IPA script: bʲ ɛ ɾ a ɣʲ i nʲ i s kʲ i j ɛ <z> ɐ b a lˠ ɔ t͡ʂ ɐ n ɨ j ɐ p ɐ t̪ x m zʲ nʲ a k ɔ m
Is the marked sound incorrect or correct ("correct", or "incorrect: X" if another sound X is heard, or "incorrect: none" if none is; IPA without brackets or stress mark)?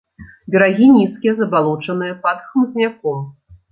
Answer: correct